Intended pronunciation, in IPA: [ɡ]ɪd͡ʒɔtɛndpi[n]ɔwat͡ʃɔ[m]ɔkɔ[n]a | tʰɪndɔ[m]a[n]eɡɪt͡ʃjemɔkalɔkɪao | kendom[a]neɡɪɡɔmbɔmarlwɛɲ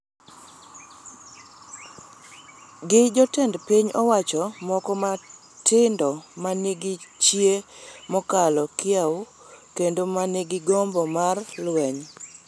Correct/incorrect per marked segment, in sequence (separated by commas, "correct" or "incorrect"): correct, incorrect, correct, incorrect, correct, correct, correct